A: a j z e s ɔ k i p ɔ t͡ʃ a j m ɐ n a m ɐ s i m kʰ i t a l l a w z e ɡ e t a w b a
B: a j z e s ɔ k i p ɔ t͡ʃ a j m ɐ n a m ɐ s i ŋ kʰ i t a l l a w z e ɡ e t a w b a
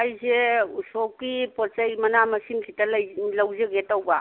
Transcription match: A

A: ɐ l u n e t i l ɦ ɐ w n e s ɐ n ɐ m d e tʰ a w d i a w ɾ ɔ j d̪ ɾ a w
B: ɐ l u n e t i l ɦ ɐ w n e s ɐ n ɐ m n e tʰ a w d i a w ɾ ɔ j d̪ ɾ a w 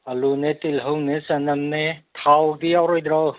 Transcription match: B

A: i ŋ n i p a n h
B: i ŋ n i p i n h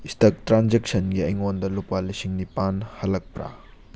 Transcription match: A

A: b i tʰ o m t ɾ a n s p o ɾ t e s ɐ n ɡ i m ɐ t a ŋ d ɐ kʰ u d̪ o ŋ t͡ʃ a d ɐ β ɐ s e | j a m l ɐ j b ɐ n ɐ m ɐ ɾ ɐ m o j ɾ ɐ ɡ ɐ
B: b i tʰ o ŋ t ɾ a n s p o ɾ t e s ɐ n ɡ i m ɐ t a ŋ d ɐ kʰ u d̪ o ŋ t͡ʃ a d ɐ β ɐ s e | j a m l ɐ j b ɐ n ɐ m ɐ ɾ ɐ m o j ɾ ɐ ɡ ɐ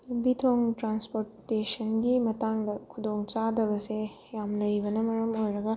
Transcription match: B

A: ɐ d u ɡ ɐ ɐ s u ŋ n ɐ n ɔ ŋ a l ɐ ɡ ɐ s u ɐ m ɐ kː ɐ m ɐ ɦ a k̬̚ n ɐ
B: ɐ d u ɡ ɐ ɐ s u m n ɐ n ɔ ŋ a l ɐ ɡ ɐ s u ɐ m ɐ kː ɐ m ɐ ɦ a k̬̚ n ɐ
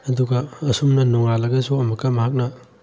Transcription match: B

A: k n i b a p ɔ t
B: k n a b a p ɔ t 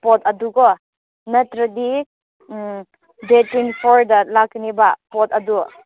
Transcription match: A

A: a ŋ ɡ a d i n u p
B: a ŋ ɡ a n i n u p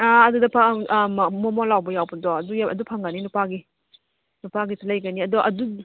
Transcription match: B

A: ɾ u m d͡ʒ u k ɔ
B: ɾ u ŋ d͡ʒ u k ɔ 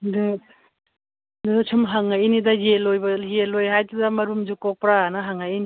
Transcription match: A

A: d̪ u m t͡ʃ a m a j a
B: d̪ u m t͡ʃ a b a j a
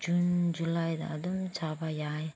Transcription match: B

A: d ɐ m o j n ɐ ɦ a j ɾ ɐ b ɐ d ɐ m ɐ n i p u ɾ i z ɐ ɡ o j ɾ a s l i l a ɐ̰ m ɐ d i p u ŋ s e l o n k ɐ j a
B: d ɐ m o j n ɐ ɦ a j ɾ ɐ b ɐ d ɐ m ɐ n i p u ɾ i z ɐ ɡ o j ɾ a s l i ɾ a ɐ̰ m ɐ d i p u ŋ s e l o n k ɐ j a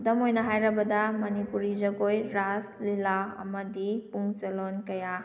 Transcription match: A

